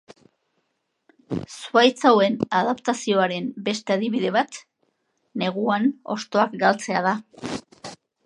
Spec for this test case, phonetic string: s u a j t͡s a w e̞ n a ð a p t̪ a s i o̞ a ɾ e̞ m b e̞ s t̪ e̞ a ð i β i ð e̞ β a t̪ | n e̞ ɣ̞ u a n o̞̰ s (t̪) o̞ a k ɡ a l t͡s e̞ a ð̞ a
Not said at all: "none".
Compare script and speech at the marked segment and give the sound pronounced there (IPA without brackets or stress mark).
t̪